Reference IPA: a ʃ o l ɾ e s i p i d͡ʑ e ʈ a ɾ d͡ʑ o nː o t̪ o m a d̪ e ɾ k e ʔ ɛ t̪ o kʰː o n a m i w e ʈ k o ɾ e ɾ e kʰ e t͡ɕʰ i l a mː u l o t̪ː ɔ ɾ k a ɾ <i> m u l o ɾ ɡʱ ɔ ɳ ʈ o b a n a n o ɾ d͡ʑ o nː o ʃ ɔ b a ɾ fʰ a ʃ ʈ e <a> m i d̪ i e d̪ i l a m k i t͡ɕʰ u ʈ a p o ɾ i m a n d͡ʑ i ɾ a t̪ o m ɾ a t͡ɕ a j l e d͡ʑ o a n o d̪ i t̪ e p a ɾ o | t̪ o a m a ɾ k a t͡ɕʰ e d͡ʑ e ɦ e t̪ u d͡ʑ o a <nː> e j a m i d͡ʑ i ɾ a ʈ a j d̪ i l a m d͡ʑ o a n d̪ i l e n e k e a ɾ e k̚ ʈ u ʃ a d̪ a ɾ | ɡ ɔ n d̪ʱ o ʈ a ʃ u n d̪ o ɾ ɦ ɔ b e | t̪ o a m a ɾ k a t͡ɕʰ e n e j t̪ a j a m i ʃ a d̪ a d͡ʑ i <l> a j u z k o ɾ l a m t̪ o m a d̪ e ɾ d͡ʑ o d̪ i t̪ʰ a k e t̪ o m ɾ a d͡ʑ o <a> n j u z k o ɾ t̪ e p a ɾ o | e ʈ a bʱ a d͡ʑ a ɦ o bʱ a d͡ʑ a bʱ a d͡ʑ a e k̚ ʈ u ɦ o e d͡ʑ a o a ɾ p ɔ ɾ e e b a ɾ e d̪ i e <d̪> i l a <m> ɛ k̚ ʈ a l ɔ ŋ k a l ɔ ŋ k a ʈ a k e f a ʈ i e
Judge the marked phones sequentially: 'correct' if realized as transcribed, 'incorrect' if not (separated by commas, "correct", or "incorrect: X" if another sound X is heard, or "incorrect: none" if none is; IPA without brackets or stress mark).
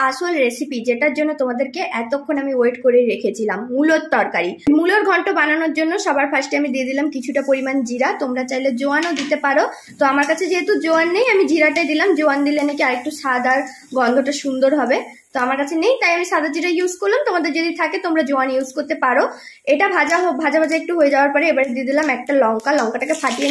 correct, correct, correct, incorrect: ɾ, correct, correct, correct